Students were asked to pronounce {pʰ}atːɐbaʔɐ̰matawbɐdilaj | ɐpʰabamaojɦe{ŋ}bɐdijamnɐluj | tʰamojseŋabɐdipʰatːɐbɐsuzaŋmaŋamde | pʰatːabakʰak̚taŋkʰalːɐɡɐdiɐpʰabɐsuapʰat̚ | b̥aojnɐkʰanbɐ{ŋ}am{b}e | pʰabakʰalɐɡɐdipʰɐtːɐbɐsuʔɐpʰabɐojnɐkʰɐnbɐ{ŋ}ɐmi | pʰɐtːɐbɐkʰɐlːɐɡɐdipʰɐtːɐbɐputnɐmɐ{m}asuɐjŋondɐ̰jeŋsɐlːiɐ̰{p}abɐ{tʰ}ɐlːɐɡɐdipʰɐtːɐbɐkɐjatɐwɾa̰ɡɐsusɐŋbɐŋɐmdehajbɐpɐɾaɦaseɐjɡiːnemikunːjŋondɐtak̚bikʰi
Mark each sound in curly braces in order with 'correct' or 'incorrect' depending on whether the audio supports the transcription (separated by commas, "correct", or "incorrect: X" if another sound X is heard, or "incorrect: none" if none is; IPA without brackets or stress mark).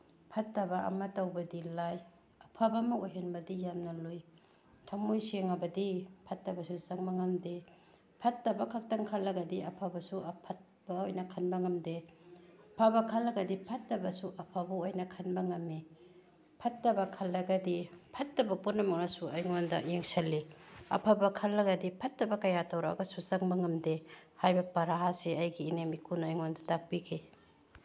correct, incorrect: n, correct, incorrect: d, correct, incorrect: ŋ, incorrect: pʰ, incorrect: kʰ